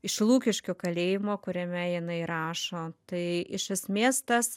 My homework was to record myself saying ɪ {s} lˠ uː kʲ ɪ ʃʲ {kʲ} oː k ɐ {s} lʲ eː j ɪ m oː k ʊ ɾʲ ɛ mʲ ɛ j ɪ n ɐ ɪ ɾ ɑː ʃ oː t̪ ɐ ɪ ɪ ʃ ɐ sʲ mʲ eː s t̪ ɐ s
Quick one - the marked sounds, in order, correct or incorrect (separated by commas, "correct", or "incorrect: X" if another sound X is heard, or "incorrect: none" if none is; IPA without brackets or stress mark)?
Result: incorrect: ʃ, correct, incorrect: none